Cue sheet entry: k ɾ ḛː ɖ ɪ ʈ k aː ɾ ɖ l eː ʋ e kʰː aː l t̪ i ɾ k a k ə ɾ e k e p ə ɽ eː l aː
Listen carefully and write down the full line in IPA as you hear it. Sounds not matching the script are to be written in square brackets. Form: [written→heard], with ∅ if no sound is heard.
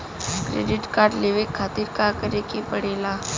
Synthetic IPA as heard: k ɾ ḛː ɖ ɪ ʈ k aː ɾ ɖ l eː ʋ e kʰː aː [l→∅] t̪ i ɾ k a k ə ɾ e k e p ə ɽ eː l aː